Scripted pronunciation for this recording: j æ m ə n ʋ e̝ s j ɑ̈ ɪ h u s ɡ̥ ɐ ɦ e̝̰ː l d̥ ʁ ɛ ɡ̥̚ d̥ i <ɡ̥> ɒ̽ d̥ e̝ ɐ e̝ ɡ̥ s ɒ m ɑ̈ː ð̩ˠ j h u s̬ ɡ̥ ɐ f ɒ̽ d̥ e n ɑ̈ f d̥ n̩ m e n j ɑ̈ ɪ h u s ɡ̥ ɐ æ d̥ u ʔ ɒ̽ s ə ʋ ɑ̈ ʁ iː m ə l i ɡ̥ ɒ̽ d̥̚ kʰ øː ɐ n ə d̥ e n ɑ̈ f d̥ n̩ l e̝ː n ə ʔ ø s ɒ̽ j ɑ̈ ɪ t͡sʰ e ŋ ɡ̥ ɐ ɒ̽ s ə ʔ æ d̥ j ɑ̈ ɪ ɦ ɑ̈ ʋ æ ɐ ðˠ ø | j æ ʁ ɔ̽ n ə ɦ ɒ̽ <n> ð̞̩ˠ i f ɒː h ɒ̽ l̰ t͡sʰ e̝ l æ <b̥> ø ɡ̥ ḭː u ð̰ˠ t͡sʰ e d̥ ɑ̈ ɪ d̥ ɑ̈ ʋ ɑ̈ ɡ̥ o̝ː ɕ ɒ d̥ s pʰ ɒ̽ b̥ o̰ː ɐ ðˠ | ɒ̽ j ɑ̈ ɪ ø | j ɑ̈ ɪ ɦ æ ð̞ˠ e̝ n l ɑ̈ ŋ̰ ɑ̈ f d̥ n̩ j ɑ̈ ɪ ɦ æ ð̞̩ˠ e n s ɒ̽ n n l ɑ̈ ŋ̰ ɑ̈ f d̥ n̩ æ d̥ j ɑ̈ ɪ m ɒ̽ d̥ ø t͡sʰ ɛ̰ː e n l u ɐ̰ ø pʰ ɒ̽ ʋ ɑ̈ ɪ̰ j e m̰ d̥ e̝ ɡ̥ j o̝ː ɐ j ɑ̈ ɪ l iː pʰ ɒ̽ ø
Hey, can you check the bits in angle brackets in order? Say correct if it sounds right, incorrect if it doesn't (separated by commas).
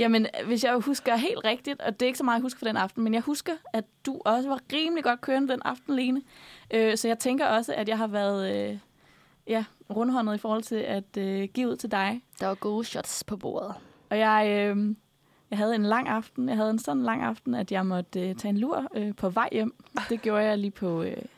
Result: incorrect, correct, incorrect